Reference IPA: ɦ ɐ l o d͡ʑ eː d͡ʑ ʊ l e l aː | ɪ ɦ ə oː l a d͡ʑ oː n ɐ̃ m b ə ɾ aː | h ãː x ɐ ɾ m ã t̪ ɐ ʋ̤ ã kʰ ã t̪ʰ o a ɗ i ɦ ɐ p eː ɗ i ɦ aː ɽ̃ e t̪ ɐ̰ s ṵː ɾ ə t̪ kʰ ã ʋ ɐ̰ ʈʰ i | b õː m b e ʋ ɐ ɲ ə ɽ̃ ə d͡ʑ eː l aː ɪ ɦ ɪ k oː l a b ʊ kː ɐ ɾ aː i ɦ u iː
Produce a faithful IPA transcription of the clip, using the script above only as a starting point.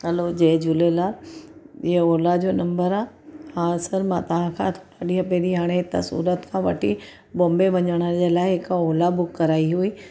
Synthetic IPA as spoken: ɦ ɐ l o d͡ʑ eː d͡ʑ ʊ l e l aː | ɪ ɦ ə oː l a d͡ʑ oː n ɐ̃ m b ə ɾ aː | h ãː s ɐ ɾ m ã t̪ ɐ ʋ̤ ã kʰ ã t̪ʰ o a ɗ i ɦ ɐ p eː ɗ i ɦ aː ɽ̃ e t̪ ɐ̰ s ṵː ɾ ə t̪ kʰ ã ʋ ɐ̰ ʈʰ i | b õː m b e ʋ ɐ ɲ ə ɽ̃ ə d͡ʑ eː l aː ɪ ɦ ɪ k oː l a b ʊ kː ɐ ɾ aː i ɦ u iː